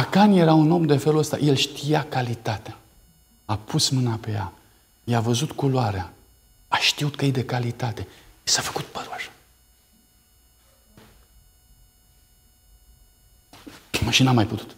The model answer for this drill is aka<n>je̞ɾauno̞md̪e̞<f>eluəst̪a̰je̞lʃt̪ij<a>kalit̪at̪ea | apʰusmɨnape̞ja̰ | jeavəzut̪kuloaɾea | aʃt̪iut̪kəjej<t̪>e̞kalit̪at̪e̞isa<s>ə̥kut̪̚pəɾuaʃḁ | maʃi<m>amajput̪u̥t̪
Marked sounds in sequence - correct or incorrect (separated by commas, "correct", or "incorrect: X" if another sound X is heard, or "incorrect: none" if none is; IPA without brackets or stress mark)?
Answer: correct, correct, correct, incorrect: d̪, incorrect: f, incorrect: n